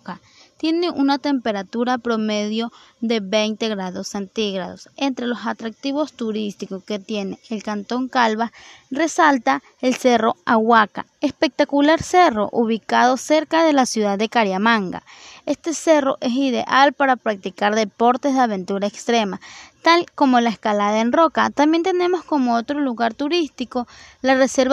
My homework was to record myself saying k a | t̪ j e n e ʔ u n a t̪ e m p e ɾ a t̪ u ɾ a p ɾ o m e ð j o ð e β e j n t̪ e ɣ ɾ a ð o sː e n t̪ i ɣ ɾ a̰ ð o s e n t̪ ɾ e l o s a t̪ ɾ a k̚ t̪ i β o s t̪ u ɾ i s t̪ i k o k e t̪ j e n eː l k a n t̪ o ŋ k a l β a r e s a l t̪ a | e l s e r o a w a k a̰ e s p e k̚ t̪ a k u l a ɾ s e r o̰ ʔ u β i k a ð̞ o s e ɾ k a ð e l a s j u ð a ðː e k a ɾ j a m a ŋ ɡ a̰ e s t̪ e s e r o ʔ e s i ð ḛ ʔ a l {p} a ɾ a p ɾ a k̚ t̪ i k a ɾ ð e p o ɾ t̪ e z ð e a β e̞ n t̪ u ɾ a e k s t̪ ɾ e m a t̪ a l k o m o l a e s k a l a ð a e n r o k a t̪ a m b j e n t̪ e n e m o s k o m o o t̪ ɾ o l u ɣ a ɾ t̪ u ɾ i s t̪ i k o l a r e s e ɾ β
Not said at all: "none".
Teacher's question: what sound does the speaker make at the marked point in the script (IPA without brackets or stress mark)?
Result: p